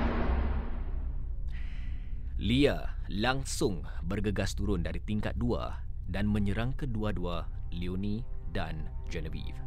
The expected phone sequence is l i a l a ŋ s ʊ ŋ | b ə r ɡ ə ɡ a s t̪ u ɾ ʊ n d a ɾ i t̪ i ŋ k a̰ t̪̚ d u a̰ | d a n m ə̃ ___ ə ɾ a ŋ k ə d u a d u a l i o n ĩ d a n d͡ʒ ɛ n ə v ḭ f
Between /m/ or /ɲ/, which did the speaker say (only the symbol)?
ɲ